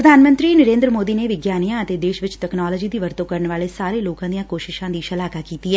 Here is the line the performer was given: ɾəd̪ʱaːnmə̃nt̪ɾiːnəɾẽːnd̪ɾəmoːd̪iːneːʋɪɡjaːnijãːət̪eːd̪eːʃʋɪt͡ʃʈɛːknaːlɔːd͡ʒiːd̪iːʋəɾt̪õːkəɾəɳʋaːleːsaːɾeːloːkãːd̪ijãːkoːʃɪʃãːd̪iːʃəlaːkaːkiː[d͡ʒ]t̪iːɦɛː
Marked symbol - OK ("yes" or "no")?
no